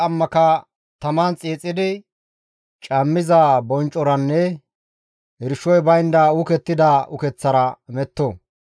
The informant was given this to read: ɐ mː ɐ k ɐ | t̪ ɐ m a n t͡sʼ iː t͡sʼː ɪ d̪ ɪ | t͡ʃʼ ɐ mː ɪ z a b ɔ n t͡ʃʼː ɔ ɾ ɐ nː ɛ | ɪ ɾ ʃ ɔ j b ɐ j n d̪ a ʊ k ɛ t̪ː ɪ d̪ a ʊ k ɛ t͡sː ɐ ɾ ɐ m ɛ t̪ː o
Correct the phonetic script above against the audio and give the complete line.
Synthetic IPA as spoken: ɐ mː ɐ k ɐ | t̪ ɐ m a n t͡sʼ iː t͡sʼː ɪ d̪ ɪ | t͡ʃʼ ɐ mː ɪ z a b ɔ n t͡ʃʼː ɔ ɾ ɐ nː ɛ | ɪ ɾ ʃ ɔ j b ɐ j n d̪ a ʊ k ɛ t̪ː ɪ d̪ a ʊ k ɛ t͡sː ɐ ɾ ɐ m ɛ t̪ː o